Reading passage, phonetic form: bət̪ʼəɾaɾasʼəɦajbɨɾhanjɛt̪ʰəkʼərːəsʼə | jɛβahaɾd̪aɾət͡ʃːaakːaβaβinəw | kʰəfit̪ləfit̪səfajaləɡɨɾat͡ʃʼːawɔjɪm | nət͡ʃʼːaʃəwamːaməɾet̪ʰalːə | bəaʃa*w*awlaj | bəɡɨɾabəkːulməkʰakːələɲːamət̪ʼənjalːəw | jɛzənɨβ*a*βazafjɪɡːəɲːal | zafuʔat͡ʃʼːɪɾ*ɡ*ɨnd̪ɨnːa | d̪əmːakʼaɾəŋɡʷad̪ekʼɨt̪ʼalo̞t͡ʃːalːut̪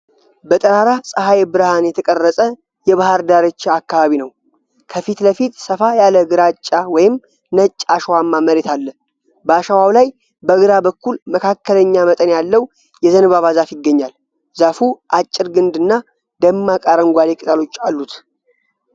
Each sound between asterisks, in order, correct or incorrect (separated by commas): correct, correct, correct